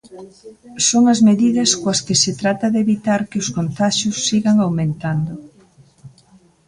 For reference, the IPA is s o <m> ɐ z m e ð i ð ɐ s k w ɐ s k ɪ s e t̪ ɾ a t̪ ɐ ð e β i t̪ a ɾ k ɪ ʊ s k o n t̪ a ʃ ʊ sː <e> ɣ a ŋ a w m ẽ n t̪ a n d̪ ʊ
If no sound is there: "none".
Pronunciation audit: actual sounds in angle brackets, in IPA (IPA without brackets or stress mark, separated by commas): ŋ, i